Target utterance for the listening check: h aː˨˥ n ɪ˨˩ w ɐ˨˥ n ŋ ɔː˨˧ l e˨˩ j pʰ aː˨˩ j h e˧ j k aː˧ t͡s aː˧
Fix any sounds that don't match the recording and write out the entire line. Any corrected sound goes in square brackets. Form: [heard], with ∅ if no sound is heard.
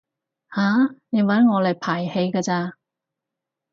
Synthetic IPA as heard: h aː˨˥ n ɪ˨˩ w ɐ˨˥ n ŋ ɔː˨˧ l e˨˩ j pʰ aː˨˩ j h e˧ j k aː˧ t͡s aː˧